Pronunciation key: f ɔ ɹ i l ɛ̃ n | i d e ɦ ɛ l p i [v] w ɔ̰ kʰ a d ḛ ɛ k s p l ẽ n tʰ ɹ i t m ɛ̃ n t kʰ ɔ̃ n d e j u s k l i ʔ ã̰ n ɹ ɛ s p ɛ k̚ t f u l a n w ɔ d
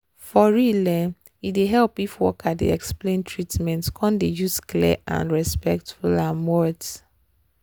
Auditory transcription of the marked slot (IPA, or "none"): f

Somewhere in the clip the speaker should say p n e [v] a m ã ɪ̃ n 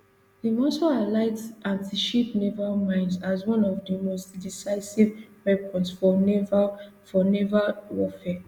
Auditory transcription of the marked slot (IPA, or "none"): v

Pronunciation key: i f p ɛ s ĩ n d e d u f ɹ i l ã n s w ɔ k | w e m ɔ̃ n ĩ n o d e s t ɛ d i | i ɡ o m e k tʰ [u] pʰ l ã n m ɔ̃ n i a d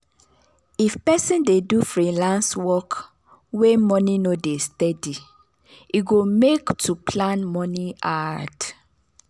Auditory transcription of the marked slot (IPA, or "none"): u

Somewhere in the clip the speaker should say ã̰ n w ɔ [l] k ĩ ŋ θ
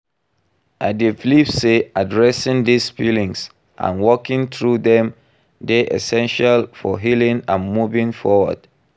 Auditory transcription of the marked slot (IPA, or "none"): none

